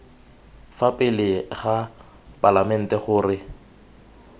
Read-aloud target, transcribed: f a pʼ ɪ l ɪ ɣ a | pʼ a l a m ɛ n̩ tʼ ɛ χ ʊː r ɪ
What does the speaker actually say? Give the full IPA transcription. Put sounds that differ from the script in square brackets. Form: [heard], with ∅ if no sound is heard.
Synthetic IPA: f a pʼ ɪ l ɪ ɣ a | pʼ a l a m ɛ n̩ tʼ ɛ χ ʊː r ɪ